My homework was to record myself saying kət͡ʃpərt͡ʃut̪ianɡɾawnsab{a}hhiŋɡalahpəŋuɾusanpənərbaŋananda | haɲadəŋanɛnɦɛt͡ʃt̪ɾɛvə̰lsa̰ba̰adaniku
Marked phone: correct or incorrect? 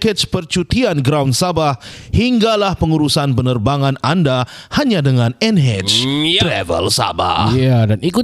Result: correct